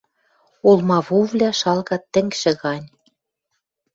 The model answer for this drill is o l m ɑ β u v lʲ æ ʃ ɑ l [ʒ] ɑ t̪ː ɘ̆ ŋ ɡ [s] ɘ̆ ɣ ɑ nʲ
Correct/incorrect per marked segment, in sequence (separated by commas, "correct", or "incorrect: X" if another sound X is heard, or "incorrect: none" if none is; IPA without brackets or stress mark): incorrect: ɣ, incorrect: ʃ